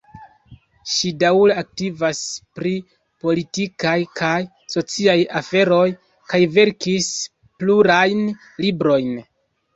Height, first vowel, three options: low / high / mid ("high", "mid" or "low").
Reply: high